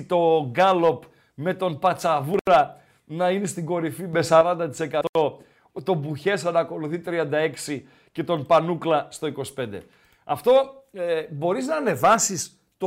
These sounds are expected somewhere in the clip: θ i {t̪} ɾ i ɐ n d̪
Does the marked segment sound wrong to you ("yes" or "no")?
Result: no